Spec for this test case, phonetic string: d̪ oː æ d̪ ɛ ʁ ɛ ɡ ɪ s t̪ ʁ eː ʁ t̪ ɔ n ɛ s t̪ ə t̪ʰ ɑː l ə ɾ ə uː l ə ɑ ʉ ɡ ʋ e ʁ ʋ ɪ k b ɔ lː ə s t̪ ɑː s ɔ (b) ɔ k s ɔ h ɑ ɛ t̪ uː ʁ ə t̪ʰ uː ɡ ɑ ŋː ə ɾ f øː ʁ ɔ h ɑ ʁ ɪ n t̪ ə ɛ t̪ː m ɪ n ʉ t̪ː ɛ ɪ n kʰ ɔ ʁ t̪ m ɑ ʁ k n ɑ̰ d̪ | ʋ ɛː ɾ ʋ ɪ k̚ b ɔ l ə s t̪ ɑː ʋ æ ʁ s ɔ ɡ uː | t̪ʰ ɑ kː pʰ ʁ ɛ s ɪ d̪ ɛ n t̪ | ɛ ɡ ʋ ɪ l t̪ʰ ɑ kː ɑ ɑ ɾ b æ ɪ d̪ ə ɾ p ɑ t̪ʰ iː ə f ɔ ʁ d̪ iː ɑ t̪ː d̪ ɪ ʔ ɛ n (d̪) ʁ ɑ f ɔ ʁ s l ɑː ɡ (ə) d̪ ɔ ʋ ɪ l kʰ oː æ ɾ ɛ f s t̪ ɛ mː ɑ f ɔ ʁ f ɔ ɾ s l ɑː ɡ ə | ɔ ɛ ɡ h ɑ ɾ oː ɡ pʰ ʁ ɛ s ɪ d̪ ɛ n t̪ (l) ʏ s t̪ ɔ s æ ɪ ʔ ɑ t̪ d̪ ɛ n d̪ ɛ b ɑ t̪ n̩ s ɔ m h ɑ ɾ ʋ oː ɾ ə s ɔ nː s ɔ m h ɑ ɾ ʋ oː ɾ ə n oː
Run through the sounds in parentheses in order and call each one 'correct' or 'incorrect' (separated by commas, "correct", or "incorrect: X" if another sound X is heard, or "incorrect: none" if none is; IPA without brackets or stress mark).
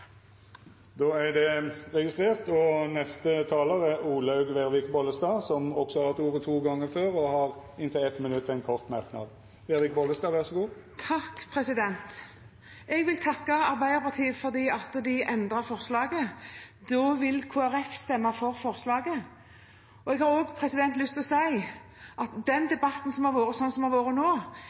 incorrect: m, correct, correct, correct